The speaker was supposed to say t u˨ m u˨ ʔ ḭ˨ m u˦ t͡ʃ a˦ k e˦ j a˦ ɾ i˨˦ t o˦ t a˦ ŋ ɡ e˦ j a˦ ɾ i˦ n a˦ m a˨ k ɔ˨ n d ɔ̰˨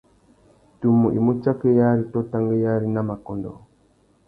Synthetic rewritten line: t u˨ m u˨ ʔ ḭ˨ m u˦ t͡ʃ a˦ k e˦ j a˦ ɾ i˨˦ t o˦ t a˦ ŋ ɡ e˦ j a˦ ɾ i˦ n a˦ m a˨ k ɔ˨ n d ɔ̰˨